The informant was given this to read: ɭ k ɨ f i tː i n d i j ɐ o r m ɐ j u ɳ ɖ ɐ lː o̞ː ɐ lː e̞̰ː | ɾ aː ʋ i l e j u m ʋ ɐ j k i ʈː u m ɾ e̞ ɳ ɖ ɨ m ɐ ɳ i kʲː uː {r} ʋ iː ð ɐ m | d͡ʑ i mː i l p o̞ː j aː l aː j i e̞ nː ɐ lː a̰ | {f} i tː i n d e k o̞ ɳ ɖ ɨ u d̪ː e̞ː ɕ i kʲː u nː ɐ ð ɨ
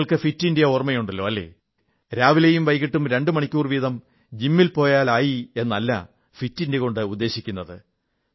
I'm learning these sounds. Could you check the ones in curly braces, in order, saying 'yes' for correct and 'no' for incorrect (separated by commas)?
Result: yes, yes